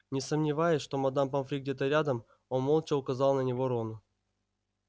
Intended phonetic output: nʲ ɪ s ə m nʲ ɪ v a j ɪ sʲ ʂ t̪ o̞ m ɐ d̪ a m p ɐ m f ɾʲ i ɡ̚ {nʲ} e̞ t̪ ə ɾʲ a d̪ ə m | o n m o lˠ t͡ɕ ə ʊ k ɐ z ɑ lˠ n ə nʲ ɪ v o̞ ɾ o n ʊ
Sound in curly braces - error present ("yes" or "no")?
yes